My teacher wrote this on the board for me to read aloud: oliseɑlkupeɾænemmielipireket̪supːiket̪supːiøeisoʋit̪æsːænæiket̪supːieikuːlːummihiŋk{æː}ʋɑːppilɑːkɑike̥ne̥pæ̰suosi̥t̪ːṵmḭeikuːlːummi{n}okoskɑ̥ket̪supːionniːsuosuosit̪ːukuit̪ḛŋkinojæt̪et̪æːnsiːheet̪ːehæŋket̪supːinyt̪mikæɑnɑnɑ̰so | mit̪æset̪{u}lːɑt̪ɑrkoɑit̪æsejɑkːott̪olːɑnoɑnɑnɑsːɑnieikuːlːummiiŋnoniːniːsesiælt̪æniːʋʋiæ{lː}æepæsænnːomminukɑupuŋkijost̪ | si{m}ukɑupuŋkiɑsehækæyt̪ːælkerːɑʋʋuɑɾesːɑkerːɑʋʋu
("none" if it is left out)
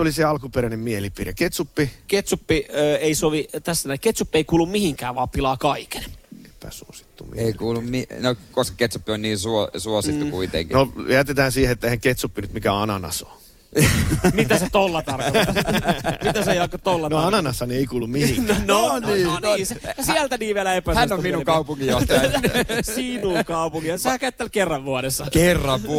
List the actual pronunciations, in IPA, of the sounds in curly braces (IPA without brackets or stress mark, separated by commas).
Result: æː, n, o, l, n